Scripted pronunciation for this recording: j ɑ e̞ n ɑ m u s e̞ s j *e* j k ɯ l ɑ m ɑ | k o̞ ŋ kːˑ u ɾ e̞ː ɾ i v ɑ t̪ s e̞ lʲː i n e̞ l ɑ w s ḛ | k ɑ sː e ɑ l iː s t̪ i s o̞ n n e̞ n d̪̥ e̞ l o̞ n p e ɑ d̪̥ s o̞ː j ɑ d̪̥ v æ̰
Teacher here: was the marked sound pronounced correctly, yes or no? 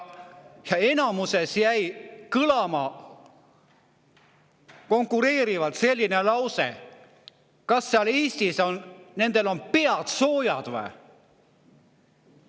no